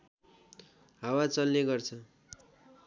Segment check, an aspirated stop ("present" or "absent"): present